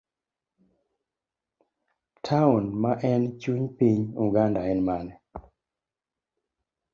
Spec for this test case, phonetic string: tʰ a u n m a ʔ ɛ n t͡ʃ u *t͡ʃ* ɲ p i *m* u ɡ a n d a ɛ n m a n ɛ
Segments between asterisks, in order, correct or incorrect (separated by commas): incorrect, incorrect